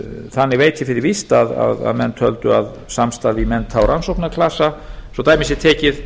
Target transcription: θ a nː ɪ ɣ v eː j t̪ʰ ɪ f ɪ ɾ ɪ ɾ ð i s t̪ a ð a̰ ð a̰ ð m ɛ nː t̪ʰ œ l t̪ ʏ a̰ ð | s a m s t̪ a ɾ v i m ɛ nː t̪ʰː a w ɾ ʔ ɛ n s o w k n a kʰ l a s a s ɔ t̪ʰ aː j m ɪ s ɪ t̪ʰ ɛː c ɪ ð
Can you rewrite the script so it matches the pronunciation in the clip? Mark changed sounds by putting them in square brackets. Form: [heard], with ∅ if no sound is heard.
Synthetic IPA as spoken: θ a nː ɪ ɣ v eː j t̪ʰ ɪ f ɪ ɾ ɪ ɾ [v] i s t̪ a ð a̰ ð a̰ ð m ɛ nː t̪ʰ œ l t̪ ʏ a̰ ð | s a m s t̪ a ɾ v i m ɛ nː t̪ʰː a w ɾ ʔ [a] n s o w k n a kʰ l a s a s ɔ [t̪] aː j m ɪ s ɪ t̪ʰ ɛː c ɪ ð